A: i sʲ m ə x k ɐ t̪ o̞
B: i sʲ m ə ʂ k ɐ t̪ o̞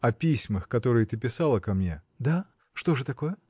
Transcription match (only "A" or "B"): A